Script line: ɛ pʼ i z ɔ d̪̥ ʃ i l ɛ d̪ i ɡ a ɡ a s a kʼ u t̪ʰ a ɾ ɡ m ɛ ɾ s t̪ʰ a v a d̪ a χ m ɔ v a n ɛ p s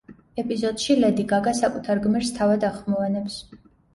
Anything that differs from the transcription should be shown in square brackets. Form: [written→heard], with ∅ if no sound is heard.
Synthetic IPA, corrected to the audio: ɛ pʼ i z ɔ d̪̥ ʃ i l ɛ d̪ i ɡ a ɡ a s a kʼ u t̪ʰ a ɾ ɡ m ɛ ɾ s t̪ʰ a v a d̪ a χ m ɔ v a n ɛ p s